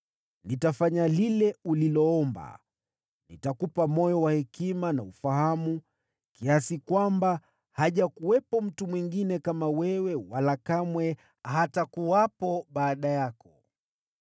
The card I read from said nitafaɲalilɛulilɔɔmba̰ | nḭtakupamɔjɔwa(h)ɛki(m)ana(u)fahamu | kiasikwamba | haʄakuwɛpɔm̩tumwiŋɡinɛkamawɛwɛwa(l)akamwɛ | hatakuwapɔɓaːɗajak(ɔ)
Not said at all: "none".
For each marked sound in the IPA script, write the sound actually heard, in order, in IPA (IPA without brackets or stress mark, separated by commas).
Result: h, m, u, l, ɔ